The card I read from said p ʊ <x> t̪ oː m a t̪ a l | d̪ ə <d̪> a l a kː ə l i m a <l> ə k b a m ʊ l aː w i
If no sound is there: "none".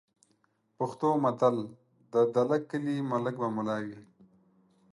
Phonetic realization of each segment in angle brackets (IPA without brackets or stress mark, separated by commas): x, d̪, l